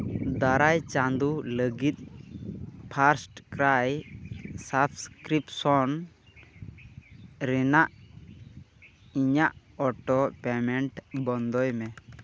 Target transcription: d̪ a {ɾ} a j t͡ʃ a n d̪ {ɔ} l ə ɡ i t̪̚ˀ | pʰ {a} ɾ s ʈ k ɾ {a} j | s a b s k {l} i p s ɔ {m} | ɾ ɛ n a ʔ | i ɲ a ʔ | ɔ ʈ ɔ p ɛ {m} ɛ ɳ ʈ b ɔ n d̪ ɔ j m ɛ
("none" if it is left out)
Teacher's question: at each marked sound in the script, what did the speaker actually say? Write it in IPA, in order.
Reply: ɾ, u, a, a, ɾ, n, m

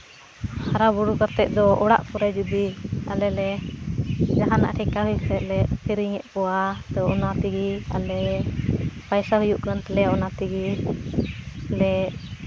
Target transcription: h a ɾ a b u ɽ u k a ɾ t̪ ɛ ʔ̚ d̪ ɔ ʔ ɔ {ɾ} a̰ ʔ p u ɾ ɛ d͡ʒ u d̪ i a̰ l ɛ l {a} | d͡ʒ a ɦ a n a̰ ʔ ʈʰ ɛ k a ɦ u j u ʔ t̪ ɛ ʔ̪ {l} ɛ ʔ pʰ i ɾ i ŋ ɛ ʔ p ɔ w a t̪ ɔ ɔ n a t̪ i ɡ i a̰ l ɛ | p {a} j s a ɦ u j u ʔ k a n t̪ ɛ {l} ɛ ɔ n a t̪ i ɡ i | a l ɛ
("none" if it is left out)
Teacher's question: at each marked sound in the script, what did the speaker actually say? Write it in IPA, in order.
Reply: ɽ, ɛ, l, a, l

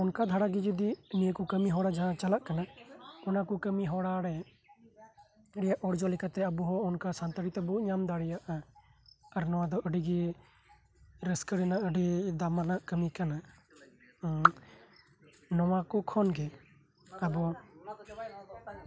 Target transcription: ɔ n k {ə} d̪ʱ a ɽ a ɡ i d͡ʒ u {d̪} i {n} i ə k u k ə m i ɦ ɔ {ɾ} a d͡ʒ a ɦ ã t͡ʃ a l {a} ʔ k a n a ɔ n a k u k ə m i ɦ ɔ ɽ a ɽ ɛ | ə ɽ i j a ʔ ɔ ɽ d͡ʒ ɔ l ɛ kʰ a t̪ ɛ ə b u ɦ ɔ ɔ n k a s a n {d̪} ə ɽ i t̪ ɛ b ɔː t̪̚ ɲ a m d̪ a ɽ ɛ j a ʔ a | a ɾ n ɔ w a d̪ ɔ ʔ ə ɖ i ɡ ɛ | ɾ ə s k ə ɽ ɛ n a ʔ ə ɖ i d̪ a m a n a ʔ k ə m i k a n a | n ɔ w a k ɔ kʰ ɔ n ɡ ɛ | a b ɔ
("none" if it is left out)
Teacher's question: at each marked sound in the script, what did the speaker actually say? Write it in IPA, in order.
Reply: a, d̪, n, ɽ, a, t̪

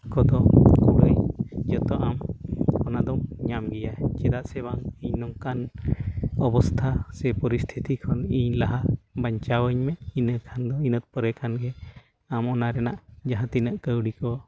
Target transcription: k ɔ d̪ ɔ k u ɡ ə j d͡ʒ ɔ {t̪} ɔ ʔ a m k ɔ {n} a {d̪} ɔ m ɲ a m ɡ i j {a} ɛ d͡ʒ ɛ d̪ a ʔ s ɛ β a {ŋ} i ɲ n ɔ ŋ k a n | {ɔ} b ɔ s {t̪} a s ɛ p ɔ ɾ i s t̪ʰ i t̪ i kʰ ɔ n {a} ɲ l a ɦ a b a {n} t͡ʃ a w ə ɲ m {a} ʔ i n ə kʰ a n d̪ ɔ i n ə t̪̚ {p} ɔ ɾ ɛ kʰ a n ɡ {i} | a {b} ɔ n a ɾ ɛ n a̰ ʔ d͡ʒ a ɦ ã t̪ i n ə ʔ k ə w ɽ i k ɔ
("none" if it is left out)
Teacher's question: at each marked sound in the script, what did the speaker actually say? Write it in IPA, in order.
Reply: t̪, n, d̪, a, ŋ, ɔ, t̪ʰ, i, ɲ, ɛ, p, ɛ, m

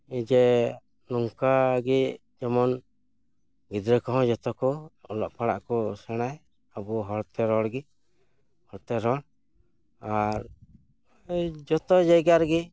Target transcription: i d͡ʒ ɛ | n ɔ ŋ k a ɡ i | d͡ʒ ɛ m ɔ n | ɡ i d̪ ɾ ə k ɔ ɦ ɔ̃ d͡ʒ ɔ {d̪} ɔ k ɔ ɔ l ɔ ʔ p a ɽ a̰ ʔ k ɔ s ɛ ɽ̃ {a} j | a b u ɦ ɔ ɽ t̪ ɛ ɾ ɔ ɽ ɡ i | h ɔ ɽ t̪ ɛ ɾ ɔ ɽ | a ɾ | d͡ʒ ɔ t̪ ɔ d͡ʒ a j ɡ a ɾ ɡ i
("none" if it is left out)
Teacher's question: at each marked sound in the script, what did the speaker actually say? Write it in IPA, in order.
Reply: t̪, a

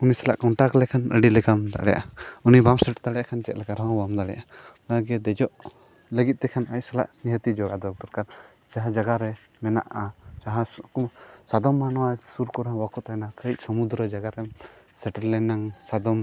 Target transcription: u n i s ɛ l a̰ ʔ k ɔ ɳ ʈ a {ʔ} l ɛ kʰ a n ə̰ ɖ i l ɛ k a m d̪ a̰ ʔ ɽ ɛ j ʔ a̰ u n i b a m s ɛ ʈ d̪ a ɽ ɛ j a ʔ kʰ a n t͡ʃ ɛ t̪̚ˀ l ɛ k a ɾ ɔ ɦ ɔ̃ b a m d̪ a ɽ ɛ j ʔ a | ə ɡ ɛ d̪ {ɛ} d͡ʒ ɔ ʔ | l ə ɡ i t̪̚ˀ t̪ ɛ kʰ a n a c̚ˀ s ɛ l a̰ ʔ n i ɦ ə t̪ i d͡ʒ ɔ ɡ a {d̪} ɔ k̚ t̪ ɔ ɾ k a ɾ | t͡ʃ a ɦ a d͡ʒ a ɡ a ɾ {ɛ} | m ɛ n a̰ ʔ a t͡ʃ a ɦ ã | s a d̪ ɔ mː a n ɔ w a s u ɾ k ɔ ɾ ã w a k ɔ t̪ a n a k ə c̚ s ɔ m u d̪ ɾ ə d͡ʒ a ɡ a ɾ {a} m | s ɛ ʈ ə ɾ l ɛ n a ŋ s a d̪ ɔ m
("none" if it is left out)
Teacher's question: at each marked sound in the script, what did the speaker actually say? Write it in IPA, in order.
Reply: k, ɛ, d̪, ɛ, ɛ

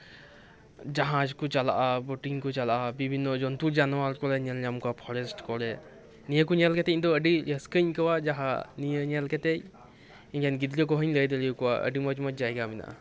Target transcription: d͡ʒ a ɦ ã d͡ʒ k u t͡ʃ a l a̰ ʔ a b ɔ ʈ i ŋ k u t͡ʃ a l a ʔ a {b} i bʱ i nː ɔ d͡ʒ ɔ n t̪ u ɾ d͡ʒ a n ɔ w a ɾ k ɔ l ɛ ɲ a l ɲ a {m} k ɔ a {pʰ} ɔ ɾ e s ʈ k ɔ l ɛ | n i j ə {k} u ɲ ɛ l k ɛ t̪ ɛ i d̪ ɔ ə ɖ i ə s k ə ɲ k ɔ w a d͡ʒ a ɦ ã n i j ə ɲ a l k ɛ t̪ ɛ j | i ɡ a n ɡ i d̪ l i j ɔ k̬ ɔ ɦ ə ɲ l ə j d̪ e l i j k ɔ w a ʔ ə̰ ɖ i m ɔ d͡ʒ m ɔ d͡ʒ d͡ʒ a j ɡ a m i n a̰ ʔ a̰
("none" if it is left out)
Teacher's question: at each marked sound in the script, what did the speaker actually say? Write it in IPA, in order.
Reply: b, m, pʰ, k

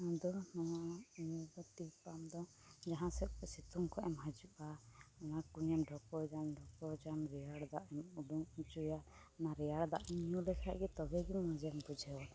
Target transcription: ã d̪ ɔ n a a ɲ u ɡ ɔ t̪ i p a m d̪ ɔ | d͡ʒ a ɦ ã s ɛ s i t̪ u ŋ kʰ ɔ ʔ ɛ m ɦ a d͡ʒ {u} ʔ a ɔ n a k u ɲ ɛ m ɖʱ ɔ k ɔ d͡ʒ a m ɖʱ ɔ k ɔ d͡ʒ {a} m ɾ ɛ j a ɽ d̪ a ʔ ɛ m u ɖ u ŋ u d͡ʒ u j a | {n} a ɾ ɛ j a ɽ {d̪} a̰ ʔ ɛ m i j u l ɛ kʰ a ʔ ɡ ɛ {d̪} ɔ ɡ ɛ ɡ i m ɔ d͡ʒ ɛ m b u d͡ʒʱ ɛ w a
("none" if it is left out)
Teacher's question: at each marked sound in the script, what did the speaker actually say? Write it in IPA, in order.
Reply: u, a, n, d̪, t̪

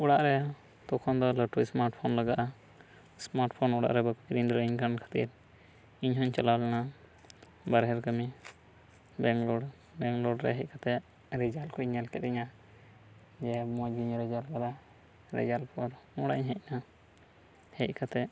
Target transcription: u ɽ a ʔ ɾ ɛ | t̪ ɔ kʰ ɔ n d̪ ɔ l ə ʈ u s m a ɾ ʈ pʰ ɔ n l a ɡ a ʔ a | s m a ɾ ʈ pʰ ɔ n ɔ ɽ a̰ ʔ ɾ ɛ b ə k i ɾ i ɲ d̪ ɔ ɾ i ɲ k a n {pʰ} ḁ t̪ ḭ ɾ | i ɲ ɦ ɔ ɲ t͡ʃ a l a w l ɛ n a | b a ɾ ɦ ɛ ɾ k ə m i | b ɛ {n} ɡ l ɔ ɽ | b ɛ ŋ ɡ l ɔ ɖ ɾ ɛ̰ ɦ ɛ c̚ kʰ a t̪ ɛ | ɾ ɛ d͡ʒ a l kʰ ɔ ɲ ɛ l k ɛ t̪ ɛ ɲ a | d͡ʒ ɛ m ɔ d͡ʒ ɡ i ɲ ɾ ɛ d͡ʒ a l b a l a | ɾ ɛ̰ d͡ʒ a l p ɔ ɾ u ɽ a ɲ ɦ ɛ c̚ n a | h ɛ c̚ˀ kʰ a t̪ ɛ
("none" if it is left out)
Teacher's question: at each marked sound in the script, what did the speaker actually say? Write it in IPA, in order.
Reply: kʰ, ŋ

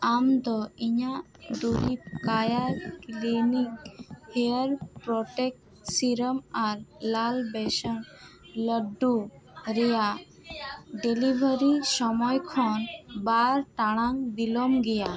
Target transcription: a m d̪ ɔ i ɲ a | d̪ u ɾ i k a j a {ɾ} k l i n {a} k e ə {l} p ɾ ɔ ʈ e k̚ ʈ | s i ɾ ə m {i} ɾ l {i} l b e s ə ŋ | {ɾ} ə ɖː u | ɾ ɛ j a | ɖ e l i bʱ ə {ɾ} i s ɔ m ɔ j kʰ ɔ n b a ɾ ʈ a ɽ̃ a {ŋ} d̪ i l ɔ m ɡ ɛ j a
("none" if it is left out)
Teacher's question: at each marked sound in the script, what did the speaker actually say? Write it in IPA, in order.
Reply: ɾ, i, ɾ, a, a, l, ɾ, ŋ

